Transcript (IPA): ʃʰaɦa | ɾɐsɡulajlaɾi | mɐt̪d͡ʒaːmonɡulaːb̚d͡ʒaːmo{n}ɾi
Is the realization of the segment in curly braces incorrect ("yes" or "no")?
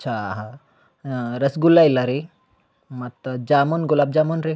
no